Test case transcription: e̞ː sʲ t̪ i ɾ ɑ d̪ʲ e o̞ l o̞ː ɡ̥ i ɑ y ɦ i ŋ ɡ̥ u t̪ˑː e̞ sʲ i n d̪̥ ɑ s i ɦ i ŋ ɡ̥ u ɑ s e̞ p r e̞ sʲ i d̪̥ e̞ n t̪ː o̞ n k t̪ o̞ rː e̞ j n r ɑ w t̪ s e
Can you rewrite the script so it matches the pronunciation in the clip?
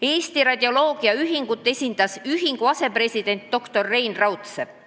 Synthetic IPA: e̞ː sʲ t̪ i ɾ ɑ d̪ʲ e o̞ l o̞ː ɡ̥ i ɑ y ɦ i ŋ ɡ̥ u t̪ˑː e̞ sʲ i n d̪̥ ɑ s y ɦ i ŋ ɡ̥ u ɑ s e̞ p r e̞ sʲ i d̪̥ e̞ n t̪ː o̞ k t̪ o̞ rː e̞ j n r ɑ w t̪ s e